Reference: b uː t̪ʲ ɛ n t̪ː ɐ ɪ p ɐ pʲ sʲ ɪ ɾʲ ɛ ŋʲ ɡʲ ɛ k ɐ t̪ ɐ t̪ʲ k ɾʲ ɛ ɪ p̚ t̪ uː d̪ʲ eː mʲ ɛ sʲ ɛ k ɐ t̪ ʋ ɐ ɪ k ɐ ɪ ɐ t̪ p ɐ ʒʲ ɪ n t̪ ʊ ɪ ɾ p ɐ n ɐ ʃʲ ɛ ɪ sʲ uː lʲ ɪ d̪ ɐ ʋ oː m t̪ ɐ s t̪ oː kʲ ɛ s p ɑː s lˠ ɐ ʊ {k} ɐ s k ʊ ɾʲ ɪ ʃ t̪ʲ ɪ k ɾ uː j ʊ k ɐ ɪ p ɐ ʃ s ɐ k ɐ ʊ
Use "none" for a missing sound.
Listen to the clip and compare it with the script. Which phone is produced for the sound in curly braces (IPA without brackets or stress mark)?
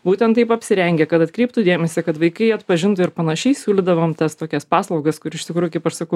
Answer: ɡ